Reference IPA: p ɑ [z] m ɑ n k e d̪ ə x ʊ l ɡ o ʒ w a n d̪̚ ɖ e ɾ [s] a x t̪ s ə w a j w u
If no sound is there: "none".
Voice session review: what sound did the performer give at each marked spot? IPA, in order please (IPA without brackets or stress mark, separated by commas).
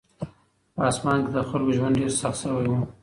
s, s